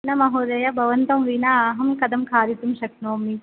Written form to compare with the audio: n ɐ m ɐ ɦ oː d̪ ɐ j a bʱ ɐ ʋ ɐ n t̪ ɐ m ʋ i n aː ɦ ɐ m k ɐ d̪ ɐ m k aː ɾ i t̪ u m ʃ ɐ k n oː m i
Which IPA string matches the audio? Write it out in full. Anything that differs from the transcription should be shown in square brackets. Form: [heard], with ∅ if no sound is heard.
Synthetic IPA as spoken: n ɐ m ɐ ɦ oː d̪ ɐ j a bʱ ɐ ʋ ɐ n t̪ ɐ m ʋ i n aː ɦ ɐ m k ɐ d̪ ɐ m [kʰ] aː ɾ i t̪ u m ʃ ɐ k n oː m i